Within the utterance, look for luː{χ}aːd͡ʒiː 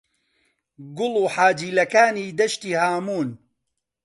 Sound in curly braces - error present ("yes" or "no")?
yes